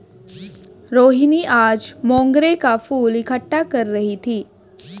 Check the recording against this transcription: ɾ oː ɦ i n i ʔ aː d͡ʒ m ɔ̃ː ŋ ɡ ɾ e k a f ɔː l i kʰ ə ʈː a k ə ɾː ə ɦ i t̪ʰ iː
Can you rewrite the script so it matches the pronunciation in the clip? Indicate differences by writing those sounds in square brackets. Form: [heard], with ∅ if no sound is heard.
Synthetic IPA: ɾ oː ɦ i n i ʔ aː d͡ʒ m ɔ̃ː ŋ ɡ ɾ e k a f [uː] l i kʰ ə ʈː a k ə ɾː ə ɦ i t̪ʰ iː